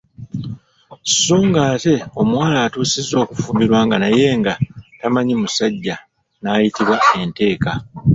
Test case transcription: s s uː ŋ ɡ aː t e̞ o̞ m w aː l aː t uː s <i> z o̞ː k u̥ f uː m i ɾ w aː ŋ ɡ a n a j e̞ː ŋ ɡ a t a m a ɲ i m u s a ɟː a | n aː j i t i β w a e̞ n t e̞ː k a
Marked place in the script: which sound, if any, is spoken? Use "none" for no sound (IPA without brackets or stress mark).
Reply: i